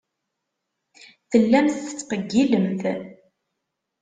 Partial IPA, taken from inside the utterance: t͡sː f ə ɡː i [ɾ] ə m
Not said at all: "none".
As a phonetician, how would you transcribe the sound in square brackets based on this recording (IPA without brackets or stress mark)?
l